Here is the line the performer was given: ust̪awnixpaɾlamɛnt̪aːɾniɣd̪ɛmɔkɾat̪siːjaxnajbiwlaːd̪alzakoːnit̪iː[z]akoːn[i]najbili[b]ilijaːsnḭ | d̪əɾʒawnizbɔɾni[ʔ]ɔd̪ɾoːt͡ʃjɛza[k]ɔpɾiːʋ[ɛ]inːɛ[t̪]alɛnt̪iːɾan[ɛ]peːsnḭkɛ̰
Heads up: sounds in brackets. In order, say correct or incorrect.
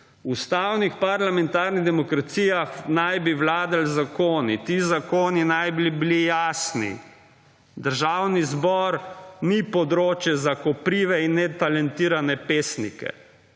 correct, correct, correct, incorrect: p, correct, correct, correct, correct

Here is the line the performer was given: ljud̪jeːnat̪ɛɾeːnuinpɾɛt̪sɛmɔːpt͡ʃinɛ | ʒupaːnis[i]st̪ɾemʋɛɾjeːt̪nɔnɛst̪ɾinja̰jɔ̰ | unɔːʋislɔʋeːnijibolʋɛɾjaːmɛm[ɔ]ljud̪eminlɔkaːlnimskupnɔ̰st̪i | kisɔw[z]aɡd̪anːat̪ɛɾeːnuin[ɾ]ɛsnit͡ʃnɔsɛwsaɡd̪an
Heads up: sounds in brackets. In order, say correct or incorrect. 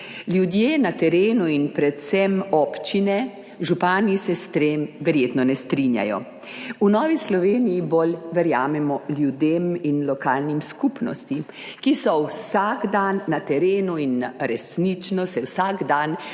incorrect: ɛ, correct, incorrect: s, correct

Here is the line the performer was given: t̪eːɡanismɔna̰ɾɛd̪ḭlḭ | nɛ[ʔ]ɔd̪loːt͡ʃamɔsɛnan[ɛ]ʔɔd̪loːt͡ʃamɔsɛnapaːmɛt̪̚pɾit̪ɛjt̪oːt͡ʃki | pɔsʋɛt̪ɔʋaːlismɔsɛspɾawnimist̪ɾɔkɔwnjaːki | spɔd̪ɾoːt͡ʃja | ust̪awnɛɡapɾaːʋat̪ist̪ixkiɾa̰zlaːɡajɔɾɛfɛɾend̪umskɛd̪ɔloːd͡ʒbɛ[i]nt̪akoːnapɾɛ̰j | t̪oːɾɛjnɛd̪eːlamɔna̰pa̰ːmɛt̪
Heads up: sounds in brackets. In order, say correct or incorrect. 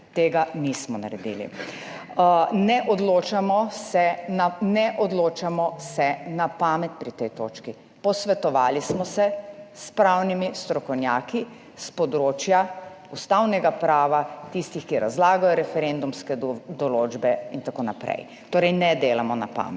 correct, correct, correct

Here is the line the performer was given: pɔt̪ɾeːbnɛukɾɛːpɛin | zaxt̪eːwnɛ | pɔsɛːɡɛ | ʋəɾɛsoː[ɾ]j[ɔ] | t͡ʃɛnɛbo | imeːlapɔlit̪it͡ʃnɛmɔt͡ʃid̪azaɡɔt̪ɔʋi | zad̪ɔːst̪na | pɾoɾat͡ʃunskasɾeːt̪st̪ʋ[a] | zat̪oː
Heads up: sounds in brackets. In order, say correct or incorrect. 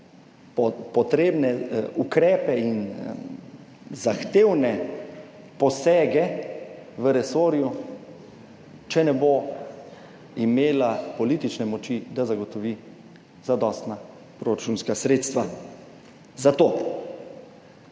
correct, incorrect: u, correct

